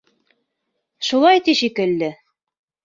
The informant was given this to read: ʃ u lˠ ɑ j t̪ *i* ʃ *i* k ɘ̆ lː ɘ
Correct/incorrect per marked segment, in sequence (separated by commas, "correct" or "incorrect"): correct, correct